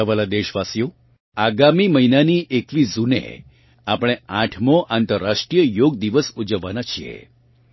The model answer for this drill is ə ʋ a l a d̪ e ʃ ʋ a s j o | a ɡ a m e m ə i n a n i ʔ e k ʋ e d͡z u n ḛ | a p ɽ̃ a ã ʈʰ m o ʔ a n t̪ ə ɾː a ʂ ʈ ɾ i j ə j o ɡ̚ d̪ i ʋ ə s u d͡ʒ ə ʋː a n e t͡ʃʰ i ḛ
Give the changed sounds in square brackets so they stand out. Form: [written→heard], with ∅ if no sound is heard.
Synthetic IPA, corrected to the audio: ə ʋ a l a d̪ e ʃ ʋ a s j o | a ɡ a m [e→i] m ə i n a n i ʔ e k ʋ [e→i] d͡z u n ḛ | a p ɽ̃ [a→e] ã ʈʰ m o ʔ a n t̪ ə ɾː a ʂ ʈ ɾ i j ə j o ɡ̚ d̪ i ʋ ə s u d͡ʒ ə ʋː a n [e→a] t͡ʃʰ i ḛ